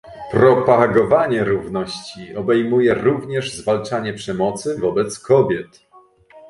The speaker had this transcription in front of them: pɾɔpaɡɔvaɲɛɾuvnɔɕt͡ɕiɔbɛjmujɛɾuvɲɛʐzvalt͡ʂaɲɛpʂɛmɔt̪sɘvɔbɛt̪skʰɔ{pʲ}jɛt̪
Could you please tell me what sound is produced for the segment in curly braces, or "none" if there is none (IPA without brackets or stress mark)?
bʲ